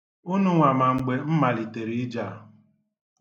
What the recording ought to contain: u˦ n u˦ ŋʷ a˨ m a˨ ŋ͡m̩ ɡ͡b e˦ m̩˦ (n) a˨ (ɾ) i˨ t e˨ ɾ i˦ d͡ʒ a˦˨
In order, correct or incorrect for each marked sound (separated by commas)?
incorrect, incorrect